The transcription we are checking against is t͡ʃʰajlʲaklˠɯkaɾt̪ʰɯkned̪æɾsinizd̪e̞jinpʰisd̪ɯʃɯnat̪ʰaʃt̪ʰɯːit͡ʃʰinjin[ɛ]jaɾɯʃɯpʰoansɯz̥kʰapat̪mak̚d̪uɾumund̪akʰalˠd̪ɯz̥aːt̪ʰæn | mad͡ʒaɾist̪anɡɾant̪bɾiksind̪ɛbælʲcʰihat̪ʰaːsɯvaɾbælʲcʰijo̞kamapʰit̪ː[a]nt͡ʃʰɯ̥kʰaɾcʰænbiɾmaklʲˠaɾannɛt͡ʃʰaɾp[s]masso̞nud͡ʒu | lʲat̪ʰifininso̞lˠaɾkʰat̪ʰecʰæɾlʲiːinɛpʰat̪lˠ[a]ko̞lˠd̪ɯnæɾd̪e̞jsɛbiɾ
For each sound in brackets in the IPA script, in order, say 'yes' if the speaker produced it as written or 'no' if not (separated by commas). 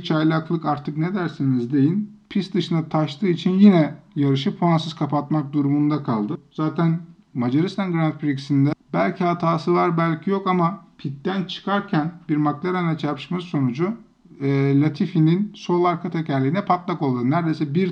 yes, no, no, yes